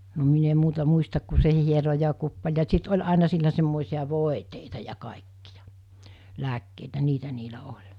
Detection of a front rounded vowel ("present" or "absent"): absent